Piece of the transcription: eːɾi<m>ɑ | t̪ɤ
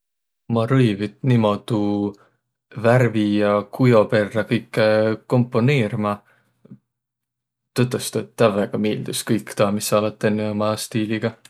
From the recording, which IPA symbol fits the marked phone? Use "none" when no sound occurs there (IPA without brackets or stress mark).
m